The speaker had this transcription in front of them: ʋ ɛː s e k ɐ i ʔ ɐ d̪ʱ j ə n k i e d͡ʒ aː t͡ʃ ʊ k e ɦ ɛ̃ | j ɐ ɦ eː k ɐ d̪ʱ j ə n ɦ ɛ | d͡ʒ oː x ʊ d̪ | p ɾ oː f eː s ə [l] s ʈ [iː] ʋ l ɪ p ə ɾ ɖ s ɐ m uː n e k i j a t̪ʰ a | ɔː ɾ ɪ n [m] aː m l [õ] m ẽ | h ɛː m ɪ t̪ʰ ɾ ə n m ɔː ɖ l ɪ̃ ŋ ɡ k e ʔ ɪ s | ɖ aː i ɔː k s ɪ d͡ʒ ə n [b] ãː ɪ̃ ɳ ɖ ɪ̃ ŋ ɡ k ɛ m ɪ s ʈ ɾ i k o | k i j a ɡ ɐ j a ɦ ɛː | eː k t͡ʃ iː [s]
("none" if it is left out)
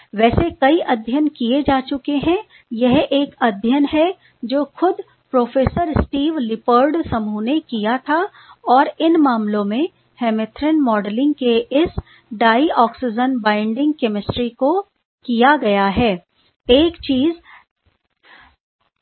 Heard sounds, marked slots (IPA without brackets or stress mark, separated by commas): ɾ, iː, m, õ, b, z